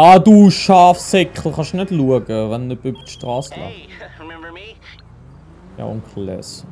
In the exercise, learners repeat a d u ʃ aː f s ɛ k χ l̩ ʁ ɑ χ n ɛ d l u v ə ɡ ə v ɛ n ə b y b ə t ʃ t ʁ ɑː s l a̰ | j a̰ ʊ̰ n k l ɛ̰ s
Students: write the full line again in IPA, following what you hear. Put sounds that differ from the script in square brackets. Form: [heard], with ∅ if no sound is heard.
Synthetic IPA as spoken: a d u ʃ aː f s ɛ k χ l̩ [χ] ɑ [ʃ] n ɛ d l u [∅] ə ɡ ə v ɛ n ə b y b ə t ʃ t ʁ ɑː s l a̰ | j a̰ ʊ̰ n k l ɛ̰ s

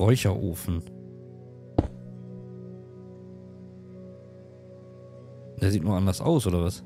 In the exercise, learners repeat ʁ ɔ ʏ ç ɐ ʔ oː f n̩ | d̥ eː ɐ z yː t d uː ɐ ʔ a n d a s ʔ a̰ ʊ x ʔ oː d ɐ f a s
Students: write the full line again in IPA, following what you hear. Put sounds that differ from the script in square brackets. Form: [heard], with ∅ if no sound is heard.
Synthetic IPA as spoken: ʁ ɔ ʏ ç ɐ ʔ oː f n̩ | d̥ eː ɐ z [iː] t [n] uː ɐ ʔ a n d [ɐ] s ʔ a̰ ʊ [s] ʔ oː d ɐ [v] a s

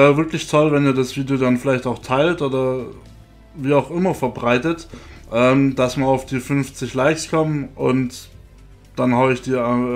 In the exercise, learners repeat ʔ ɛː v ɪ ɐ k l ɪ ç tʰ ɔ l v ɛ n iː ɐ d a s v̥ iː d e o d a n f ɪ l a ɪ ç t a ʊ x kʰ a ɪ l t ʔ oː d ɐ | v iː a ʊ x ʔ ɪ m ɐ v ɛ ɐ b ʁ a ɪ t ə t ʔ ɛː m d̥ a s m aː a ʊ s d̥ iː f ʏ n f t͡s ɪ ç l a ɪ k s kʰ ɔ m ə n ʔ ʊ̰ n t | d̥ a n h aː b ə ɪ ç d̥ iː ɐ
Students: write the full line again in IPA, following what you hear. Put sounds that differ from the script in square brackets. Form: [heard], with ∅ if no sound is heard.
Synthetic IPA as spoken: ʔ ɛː v ɪ ɐ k l ɪ ç tʰ ɔ l v ɛ n iː ɐ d a s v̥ iː d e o d a n f ɪ l a ɪ ç t a ʊ x [tʰ] a ɪ l t ʔ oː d ɐ | v iː a ʊ x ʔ ɪ m ɐ [f] ɛ ɐ b ʁ a ɪ t ə t ʔ ɛː m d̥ a s m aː a ʊ [f] d̥ iː f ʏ n f t͡s ɪ ç l a ɪ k s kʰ ɔ m ə n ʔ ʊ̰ n t | d̥ a n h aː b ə ɪ ç d̥ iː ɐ

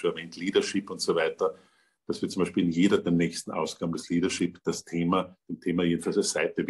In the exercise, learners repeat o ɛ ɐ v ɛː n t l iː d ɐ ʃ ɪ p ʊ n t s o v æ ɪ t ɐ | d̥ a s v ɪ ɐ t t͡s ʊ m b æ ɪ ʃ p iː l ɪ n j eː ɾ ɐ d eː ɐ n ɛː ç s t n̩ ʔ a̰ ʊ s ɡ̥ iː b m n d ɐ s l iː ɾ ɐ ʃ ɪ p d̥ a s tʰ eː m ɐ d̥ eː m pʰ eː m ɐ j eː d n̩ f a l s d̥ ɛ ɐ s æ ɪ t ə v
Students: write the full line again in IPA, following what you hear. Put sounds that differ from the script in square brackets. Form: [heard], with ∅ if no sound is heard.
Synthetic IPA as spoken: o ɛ ɐ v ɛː n t l iː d ɐ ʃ ɪ p ʊ n t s o v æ ɪ t ɐ | d̥ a s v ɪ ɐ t t͡s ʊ m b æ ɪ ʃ p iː l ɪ n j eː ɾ ɐ d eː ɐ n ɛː ç s t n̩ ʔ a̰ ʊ s ɡ̥ [aː] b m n d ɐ s l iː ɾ ɐ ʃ ɪ p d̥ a s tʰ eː m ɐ d̥ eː m [tʰ] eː m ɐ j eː d n̩ f a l s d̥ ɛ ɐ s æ ɪ t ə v

